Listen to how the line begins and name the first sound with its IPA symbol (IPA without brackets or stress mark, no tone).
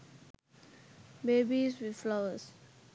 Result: b